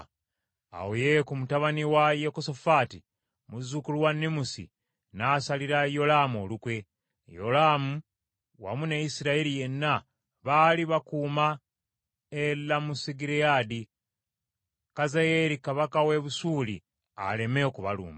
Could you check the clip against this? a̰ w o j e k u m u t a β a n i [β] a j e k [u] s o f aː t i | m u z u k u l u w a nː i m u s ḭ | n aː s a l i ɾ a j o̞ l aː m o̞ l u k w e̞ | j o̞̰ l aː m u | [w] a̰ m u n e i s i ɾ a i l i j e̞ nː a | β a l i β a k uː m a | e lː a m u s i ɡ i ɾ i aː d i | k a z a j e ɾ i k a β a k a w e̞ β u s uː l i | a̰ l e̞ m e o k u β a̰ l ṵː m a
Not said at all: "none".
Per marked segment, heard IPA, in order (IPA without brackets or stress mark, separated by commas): w, o, w